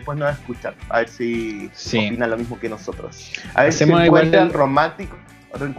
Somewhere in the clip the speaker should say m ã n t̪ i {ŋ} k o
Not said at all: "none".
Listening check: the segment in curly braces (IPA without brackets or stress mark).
none